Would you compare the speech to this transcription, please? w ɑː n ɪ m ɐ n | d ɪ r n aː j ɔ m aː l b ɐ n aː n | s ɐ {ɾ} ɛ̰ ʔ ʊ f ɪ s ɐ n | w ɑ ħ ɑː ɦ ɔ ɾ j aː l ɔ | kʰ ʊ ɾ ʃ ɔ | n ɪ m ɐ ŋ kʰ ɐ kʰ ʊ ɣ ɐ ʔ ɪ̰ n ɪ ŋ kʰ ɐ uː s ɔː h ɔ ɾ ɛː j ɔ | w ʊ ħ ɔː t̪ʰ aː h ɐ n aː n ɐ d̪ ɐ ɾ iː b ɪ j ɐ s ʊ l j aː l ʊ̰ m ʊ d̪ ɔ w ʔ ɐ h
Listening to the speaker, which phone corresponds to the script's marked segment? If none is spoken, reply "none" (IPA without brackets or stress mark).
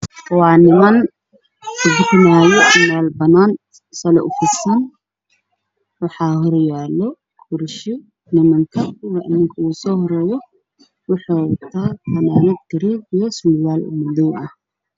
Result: l